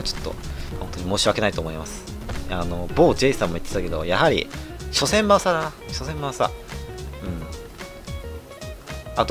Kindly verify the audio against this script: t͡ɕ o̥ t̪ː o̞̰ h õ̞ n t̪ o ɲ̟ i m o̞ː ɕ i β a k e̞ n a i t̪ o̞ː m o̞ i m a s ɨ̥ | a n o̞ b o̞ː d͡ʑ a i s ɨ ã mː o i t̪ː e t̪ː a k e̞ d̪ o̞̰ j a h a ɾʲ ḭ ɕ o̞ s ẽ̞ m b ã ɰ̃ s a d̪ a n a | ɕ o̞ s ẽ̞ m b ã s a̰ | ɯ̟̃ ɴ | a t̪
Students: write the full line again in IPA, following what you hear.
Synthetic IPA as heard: t͡ɕ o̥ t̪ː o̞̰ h õ̞ n t̪ o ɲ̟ i m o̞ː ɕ i β a k e̞ n a i t̪ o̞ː m o̞ i m a s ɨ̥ | a n o̞ b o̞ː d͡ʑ e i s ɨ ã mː o i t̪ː e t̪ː a k e̞ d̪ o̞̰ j a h a ɾʲ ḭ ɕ o̞ s ẽ̞ m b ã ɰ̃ s a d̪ a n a | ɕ o̞ s ẽ̞ m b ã s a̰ | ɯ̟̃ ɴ | a t̪

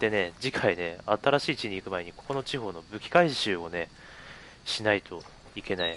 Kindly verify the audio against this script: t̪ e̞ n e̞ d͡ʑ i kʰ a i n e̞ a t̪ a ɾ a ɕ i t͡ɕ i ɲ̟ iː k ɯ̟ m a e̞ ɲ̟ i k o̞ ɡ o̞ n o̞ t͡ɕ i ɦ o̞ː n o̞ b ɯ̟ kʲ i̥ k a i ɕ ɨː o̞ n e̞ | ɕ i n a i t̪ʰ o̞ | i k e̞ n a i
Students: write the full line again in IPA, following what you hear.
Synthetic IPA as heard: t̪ e̞ n e̞ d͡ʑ i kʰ a i n e̞ a t̪ a ɾ a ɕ iː t͡ɕ i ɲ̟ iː k ɯ̟ m a e̞ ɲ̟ i k o̞ k o̞ n o̞ t͡ɕ i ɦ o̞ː n o̞ b ɯ̟ kʲ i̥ k a i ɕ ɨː o̞ n e̞ | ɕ i n a i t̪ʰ o̞ | i k e̞ n a i

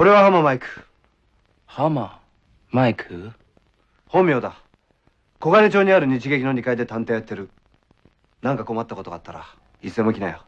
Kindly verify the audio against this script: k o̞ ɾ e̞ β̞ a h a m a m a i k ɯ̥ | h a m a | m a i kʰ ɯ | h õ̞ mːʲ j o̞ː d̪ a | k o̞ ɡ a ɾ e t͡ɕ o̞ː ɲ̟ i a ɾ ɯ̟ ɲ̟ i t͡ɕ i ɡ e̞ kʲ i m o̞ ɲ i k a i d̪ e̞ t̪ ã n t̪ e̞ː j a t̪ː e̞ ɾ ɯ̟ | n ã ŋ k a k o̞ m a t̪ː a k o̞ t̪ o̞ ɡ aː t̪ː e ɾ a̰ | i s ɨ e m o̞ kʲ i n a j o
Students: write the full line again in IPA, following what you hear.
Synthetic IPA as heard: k o̞ ɾ e̞ β̞ a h a m a m a i k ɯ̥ | h a m a | m a i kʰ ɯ | h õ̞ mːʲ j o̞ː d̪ a | k o̞ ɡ a ɾ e t͡ɕ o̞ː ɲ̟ i a ɾ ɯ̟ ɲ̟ i t͡ɕ i ɡ e̞ kʲ i n o̞ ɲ i k a i d̪ e̞ t̪ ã n t̪ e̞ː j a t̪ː e̞ ɾ ɯ̟ | n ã ŋ k a k o̞ m a t̪ː a k o̞ t̪ o̞ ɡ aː t̪ː a ɾ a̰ | i s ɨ e m o̞ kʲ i n a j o

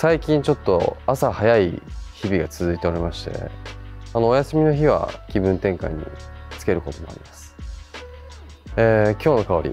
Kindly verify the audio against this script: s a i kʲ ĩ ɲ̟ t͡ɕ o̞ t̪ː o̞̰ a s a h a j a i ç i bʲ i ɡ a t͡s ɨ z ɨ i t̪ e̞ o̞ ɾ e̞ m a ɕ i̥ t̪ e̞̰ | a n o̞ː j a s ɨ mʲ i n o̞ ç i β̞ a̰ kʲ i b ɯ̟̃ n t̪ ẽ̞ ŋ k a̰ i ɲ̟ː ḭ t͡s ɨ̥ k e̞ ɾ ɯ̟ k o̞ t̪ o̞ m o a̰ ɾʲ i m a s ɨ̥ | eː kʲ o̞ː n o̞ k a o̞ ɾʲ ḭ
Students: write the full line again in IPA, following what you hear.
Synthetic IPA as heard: s a i kʲ ĩ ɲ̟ t͡ɕ o̞ t̪ː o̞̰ a s a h a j a i ç i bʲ i ɡ a t͡s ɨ z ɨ i t̪ e̞ o̞ ɾ e̞ m a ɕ i̥ t̪ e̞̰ | a n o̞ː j a s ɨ mʲ i n o̞ ç i β̞ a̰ kʲ i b ɯ̟̃ n t̪ ẽ̞ ŋ k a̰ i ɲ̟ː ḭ t͡s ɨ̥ k e̞ ɾ ɯ̟ k o̞ t̪ o̞ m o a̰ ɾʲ i m a s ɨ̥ | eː kʲ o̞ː n o̞ k a o̞ ɾʲ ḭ

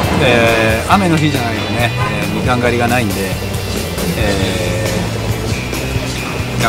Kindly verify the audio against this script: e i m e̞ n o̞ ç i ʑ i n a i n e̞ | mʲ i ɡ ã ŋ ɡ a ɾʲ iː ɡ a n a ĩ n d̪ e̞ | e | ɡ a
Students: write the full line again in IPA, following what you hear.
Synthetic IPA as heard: e a m e̞ n o̞ ç i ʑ a n a i n e̞ | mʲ i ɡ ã ŋ ɡ a ɾʲ i ɡ a n a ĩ n d̪ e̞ | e | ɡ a

